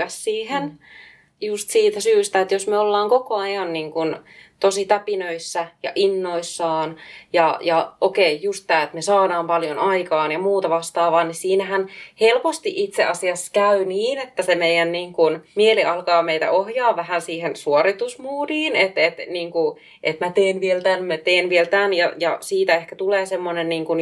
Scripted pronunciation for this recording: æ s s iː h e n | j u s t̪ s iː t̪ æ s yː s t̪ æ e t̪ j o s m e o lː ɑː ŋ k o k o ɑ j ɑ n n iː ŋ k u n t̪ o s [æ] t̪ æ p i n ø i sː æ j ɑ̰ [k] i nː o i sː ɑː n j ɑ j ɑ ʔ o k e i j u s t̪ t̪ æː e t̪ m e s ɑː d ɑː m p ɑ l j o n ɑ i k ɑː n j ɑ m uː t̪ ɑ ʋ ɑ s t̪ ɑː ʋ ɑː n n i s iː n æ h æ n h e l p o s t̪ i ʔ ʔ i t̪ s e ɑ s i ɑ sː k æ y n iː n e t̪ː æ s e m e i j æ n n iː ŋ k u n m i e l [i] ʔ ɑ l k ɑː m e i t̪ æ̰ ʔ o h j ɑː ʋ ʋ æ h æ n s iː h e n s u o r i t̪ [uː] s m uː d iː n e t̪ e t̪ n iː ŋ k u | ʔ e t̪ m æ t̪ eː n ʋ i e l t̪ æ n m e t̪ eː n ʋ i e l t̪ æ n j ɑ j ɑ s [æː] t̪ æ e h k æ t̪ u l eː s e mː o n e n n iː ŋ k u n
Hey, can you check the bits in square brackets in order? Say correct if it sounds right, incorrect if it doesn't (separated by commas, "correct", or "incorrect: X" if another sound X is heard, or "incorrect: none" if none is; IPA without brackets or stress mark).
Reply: incorrect: i, incorrect: ʔ, correct, incorrect: u, incorrect: iː